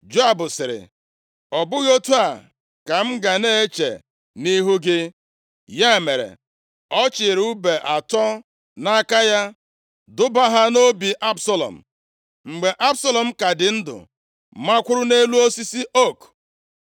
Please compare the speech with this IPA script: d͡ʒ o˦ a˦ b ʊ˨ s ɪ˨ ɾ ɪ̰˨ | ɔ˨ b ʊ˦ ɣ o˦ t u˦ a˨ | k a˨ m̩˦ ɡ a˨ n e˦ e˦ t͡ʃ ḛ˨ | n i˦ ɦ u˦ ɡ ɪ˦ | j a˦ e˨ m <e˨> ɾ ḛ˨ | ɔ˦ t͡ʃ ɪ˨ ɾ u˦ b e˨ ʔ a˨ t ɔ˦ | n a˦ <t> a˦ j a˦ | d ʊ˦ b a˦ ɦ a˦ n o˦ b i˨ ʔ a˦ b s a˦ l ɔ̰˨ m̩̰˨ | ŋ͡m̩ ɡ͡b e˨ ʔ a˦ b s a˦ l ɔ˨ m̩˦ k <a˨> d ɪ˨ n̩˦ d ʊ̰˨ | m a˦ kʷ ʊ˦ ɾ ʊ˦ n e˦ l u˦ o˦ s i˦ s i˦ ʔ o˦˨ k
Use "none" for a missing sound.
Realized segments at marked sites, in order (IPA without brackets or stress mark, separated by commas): e˨, k, a˨